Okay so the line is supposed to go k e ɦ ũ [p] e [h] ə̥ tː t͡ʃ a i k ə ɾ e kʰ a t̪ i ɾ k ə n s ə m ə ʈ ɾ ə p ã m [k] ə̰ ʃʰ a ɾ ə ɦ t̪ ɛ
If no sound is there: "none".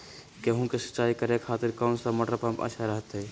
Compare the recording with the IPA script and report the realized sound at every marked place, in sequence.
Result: k, s, p

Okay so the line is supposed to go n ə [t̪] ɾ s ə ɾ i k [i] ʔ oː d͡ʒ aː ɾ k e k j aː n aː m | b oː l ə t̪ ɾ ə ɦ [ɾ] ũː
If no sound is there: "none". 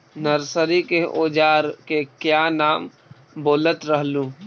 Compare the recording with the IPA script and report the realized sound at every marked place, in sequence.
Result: none, e, l

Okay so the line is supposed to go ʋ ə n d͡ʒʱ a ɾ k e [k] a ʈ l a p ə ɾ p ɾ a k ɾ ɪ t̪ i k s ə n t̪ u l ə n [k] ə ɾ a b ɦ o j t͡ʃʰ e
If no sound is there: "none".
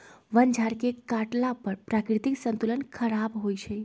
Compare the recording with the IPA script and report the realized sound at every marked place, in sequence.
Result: k, kʰ

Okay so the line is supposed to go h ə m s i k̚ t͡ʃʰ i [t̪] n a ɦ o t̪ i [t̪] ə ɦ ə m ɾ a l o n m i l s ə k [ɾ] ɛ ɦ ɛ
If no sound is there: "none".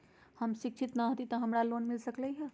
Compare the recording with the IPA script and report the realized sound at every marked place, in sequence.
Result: t̪, t̪, l

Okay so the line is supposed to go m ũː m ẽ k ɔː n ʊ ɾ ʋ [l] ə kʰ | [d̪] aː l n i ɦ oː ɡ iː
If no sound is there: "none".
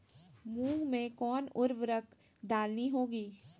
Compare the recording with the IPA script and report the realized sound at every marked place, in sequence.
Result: ɾ, d̪

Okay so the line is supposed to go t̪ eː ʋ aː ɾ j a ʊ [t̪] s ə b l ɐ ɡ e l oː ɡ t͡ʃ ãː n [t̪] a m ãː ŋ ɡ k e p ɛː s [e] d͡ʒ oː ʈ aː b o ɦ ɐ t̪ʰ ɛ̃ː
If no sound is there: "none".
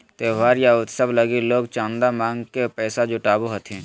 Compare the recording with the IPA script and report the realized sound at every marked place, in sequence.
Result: t̪, d̪, a

